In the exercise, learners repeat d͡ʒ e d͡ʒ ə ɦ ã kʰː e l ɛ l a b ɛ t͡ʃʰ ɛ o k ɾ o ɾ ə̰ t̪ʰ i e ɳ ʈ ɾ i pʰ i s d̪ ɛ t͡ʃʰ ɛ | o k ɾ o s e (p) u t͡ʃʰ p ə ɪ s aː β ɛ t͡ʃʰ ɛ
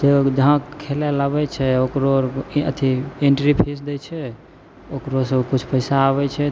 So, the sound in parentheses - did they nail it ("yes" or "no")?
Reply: no